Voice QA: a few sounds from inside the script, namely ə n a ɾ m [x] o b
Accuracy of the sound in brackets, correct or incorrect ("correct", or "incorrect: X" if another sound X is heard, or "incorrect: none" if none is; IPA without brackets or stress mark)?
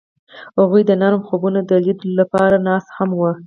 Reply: correct